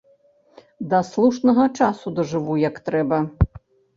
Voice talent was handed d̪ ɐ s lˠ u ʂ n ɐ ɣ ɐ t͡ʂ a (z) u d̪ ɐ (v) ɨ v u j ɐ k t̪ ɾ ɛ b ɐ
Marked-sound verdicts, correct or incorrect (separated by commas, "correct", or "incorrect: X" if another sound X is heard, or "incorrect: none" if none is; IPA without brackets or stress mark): incorrect: s, incorrect: ʐ